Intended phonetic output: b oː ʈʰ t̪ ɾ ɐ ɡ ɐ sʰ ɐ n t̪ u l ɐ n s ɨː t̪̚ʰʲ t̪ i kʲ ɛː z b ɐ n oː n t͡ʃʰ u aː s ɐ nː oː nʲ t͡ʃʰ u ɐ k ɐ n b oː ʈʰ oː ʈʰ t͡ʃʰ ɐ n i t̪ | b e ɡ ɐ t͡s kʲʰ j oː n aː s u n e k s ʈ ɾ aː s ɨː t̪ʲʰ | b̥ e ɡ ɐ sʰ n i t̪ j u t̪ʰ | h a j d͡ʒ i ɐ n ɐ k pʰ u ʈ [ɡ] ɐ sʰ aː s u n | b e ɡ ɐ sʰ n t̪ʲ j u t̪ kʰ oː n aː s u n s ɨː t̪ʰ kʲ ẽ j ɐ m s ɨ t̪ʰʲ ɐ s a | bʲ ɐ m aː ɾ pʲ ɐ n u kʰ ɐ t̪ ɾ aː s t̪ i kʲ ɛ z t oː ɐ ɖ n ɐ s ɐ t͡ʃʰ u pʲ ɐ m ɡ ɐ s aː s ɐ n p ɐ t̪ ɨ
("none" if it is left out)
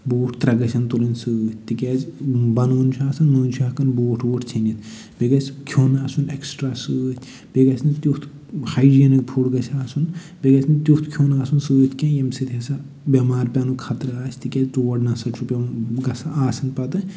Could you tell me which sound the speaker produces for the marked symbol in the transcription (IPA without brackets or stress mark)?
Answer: ɡ